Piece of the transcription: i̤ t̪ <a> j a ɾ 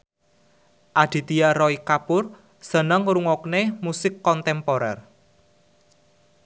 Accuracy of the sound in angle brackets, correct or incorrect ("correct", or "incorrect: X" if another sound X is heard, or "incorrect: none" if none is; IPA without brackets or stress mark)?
incorrect: i